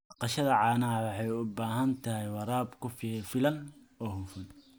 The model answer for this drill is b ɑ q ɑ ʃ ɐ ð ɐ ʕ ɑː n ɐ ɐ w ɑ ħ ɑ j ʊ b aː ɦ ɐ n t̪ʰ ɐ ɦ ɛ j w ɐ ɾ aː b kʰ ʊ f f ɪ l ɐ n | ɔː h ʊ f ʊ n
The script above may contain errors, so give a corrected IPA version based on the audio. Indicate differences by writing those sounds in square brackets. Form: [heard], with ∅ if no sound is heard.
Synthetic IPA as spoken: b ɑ q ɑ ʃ ɐ ð ɐ ʕ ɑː n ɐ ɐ w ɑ ħ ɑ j ʊ b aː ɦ ɐ n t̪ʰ ɐ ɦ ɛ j w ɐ ɾ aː b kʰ ʊ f f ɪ l ɐ n | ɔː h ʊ f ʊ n